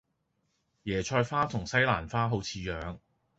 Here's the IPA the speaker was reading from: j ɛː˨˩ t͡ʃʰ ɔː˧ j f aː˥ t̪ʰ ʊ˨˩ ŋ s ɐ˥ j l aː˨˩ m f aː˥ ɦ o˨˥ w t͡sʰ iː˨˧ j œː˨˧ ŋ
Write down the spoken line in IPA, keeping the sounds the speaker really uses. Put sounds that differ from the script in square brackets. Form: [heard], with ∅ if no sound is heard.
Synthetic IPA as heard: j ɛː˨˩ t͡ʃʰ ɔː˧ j f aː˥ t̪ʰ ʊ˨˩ ŋ s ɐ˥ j l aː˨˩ [n] f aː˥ ɦ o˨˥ w t͡sʰ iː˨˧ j œː˨˧ ŋ